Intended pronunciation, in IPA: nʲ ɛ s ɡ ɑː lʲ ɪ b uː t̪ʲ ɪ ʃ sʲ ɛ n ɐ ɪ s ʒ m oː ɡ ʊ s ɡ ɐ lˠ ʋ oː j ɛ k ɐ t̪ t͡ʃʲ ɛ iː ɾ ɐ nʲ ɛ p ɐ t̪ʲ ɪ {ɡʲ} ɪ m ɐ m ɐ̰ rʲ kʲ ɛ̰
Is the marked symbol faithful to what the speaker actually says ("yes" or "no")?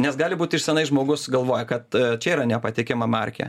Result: no